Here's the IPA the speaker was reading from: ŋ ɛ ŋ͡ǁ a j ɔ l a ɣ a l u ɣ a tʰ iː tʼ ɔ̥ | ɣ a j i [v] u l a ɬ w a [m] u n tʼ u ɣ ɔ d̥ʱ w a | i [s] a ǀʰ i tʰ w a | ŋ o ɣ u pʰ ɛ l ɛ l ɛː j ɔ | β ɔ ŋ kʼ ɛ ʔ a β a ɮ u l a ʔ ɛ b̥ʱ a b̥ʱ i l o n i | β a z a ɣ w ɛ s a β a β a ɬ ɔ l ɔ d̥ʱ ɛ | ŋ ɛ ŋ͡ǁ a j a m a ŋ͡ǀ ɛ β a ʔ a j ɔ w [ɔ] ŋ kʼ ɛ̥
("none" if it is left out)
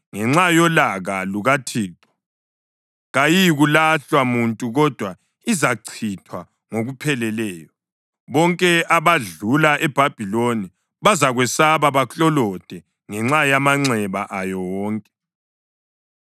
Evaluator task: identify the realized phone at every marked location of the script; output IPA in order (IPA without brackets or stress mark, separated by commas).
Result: ɣ, m, z, ɔː